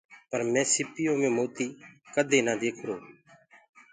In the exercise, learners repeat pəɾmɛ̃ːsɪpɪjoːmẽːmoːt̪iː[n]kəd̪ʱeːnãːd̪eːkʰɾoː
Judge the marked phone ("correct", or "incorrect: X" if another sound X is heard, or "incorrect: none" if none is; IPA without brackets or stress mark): incorrect: none